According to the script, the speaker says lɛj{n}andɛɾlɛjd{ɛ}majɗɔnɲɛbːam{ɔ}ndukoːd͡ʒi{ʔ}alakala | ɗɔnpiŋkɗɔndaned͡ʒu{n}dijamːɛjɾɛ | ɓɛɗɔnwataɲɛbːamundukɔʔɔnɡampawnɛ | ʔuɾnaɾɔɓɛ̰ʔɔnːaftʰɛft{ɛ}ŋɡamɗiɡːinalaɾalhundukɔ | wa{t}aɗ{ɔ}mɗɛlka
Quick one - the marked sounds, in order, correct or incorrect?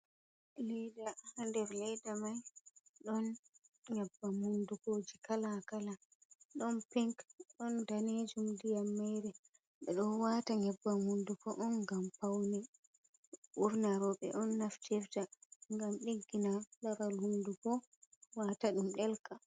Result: incorrect, incorrect, incorrect, incorrect, incorrect, incorrect, correct, incorrect

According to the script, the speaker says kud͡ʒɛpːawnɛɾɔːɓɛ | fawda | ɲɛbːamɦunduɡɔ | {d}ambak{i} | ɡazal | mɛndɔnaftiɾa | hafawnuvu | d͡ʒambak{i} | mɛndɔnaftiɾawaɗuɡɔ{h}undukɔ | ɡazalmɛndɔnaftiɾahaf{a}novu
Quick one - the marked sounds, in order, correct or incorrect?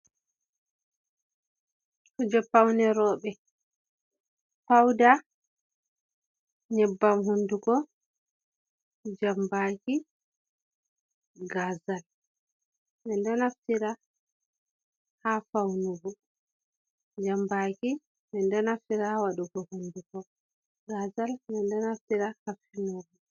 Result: incorrect, correct, correct, correct, incorrect

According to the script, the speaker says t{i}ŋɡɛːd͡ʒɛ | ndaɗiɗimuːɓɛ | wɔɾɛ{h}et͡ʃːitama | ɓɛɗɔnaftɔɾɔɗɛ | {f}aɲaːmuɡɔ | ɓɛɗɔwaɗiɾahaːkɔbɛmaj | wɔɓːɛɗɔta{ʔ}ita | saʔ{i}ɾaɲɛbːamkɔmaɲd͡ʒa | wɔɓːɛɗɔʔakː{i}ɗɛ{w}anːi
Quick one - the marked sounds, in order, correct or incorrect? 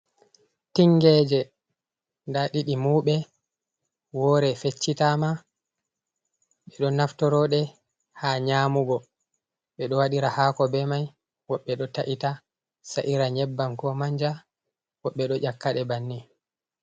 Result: correct, incorrect, incorrect, correct, correct, incorrect, incorrect

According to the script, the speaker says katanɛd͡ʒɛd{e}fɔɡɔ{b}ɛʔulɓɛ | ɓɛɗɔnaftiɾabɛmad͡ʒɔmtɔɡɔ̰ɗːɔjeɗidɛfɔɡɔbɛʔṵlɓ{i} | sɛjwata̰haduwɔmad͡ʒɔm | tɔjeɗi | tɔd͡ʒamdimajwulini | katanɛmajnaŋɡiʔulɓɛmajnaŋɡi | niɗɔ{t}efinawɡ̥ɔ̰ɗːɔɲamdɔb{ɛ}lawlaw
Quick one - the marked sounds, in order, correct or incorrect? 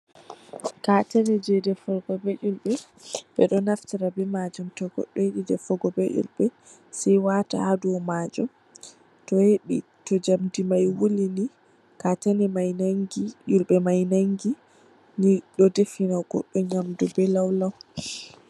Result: incorrect, correct, incorrect, incorrect, correct

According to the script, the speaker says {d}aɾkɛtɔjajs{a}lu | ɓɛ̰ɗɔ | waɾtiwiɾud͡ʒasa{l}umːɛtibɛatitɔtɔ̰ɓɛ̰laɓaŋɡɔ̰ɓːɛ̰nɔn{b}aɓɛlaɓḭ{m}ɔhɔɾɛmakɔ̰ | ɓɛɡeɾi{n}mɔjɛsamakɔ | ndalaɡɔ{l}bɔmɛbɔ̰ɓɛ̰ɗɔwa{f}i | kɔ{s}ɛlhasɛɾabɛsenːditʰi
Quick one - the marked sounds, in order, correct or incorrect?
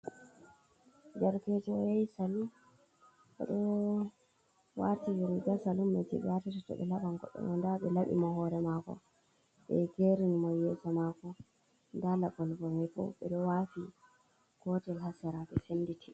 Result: incorrect, correct, correct, incorrect, correct, correct, correct, correct, incorrect

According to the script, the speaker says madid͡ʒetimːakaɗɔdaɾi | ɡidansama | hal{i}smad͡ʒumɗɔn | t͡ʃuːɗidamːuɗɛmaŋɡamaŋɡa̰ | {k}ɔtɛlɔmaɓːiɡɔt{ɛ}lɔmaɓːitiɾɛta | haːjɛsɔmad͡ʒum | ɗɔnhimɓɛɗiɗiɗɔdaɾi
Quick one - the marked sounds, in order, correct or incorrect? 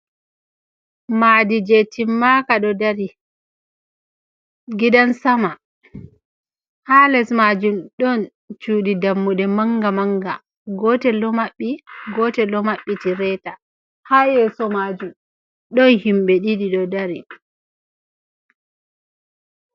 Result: incorrect, incorrect, correct

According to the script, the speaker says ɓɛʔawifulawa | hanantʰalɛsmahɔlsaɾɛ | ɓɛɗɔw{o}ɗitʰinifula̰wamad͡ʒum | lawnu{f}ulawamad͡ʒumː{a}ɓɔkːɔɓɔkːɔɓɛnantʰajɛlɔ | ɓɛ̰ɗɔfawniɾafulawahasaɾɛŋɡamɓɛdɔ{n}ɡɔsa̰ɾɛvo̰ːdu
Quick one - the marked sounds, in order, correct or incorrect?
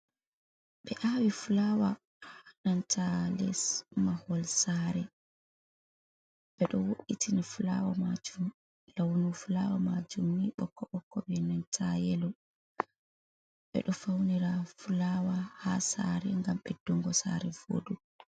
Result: correct, correct, incorrect, incorrect

